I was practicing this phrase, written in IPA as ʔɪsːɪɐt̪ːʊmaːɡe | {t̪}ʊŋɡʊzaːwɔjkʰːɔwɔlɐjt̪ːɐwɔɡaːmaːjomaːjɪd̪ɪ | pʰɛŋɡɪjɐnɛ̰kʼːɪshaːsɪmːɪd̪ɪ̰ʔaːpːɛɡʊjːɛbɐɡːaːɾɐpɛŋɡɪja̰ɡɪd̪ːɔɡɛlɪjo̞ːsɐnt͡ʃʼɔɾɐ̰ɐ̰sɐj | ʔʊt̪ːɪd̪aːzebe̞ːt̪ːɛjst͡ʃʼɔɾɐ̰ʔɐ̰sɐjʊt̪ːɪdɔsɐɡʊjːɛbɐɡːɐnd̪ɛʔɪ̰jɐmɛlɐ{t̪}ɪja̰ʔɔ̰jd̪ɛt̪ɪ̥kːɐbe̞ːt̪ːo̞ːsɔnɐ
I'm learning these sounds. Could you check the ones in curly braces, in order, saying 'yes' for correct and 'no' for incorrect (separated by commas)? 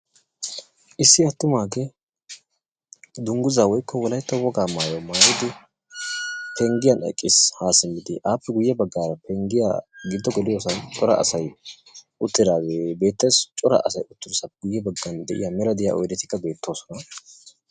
no, no